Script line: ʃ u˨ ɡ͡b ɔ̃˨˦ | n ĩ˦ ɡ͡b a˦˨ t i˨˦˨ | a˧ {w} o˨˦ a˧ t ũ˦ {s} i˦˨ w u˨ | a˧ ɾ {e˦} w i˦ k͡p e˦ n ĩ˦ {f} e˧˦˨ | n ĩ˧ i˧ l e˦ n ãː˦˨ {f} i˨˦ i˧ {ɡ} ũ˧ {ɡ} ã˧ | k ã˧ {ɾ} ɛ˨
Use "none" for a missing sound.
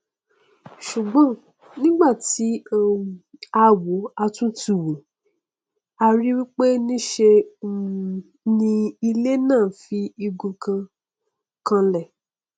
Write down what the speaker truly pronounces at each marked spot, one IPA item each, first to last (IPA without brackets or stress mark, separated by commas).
w, t, i˦, ʃ, f, ɡ, k, l